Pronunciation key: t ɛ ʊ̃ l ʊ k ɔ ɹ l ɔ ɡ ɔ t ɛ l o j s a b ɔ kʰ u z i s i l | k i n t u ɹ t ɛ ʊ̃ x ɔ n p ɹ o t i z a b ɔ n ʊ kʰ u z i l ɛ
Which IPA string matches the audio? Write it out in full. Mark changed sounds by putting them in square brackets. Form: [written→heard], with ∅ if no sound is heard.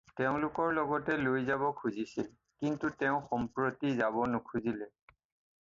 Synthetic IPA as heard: t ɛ ʊ̃ l ʊ k ɔ ɹ l ɔ ɡ ɔ t ɛ l o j [s→z] a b ɔ kʰ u z i s i l | k i n t u [ɹ→∅] t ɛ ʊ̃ x ɔ [n→m] p ɹ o t i z a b ɔ n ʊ kʰ u z i l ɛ